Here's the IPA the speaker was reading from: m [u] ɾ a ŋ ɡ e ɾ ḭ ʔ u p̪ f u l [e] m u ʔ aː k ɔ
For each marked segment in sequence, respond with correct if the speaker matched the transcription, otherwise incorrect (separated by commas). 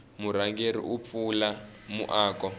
correct, incorrect